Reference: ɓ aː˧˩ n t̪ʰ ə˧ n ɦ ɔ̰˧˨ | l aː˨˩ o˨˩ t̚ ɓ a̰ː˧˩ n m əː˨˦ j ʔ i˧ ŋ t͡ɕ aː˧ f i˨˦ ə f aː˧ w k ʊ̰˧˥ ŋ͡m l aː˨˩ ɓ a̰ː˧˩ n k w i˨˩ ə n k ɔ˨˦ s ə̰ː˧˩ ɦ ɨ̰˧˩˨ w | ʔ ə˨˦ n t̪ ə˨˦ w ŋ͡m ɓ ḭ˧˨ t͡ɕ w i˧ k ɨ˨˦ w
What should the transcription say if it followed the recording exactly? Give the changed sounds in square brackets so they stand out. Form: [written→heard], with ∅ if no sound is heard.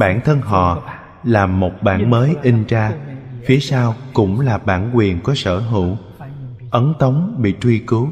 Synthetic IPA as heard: ɓ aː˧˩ n t̪ʰ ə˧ n ɦ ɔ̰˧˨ | l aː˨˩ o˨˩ t̚ ɓ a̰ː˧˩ n m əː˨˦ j ʔ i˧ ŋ t͡ɕ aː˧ f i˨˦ ə [f→s] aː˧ w k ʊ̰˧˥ ŋ͡m l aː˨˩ ɓ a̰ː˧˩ n k w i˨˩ ə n k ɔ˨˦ s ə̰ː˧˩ ɦ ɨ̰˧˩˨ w | ʔ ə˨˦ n t̪ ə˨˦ w ŋ͡m ɓ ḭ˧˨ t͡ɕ w i˧ k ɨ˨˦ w